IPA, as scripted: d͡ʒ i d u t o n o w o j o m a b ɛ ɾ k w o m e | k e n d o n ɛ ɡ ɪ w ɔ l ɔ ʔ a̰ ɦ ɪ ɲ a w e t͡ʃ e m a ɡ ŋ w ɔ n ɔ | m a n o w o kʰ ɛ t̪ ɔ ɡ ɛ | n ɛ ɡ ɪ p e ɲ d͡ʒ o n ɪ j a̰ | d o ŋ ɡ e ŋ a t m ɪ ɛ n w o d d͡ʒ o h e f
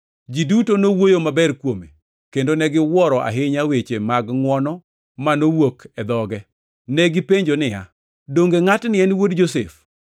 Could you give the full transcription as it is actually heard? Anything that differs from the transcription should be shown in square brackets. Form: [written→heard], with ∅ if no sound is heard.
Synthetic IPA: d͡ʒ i d u t o n o w o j o m a b ɛ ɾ k w o m e | k e n d o n ɛ ɡ ɪ w ɔ [l→ɾ] ɔ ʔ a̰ ɦ ɪ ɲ a w e t͡ʃ e m a ɡ ŋ w ɔ n ɔ | m a n o w o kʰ ɛ [t̪→d̪] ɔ ɡ ɛ | n ɛ ɡ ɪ p e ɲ d͡ʒ o n ɪ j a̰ | d o ŋ ɡ e ŋ a t [m→n] ɪ ɛ n w o d d͡ʒ o [h→s] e f